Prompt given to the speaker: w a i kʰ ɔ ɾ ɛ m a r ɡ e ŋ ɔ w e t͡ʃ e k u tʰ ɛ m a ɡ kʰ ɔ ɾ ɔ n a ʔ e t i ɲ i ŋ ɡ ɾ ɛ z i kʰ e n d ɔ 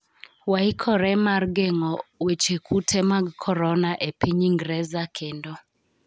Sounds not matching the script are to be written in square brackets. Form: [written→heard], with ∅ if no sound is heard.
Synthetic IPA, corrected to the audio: w a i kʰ ɔ ɾ ɛ m a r ɡ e ŋ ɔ w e t͡ʃ e k u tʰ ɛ m a ɡ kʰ ɔ ɾ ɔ n a ʔ e [t→p] i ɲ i ŋ ɡ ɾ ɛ z [i→a] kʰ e n d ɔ